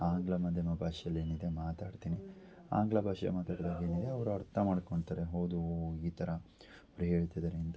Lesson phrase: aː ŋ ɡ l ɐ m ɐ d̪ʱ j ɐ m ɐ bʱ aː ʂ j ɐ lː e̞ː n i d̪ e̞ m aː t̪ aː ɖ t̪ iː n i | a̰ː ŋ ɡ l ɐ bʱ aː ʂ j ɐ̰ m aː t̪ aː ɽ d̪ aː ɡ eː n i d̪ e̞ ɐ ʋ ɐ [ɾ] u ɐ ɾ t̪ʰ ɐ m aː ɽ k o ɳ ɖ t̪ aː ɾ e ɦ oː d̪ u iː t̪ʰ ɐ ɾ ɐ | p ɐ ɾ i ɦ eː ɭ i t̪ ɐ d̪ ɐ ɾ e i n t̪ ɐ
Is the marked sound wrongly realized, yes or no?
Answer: no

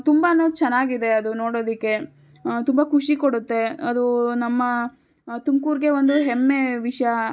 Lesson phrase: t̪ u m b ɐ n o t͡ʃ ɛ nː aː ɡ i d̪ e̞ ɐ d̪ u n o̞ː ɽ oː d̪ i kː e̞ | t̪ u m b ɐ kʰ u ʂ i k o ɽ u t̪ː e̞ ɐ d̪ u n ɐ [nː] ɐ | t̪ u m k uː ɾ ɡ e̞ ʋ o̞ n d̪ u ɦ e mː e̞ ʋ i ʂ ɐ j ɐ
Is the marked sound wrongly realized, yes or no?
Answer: yes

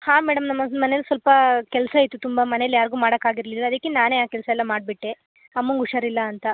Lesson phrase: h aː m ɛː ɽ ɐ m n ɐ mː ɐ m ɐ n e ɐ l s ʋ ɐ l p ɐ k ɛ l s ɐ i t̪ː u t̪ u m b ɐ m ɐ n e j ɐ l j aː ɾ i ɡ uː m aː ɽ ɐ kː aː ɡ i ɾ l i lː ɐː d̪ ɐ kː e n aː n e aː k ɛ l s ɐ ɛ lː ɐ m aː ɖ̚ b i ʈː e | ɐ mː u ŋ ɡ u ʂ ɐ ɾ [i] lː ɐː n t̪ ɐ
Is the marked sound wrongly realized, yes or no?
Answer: no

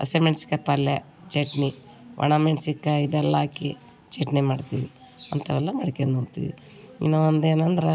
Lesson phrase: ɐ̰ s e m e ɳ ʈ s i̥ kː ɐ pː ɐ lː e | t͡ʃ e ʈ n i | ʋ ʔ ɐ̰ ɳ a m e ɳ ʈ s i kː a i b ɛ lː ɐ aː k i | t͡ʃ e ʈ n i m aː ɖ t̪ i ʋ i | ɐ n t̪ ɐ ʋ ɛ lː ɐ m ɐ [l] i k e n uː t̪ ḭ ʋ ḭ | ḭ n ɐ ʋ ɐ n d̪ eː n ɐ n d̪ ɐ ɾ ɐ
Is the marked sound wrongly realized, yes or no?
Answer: yes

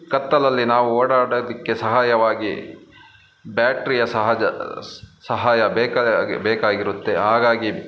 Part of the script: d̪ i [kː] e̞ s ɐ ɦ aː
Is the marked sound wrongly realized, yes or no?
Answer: no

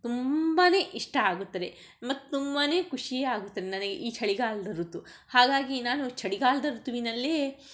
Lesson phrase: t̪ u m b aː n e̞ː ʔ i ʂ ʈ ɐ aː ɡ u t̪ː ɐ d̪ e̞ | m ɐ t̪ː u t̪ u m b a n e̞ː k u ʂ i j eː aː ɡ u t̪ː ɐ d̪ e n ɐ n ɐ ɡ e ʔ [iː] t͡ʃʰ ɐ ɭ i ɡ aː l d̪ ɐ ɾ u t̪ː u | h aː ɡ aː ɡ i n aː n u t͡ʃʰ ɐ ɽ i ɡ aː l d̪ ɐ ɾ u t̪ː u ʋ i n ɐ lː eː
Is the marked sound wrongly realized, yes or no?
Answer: no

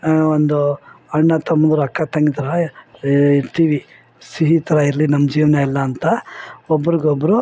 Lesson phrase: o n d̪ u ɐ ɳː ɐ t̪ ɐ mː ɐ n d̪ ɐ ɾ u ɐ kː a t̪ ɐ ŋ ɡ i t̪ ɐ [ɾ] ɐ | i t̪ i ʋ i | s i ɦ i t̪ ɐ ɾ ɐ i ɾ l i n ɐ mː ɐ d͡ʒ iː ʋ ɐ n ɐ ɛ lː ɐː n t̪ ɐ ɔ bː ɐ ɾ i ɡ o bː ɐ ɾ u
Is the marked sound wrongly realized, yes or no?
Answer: no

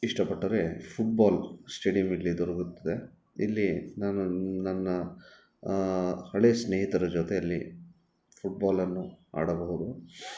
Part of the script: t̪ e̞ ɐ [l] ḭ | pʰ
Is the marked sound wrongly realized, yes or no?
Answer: yes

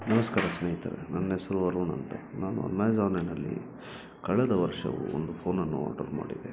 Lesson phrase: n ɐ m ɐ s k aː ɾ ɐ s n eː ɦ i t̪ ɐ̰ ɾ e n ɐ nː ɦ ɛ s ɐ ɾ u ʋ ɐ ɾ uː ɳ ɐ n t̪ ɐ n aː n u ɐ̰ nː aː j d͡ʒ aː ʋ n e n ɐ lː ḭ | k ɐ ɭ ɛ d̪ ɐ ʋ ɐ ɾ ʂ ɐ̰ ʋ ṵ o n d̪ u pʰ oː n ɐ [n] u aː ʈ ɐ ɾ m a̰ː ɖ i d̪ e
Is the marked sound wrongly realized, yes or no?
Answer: yes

